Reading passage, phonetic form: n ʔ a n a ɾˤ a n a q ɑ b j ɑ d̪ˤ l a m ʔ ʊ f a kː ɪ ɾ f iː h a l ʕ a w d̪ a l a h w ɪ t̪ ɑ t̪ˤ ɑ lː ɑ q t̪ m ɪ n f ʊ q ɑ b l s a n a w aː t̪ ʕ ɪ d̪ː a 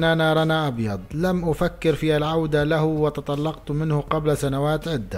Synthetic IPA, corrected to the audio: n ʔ a n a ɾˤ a n a ʔ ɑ b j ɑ d̪ˤ l a m ʔ ʊ f a kː ɪ ɾ f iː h a l ʕ a w d̪ a l a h w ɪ t̪ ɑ t̪ˤ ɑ lː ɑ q t̪ m ɪ n h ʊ q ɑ b l s a n a w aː t̪ ʕ ɪ d̪ː a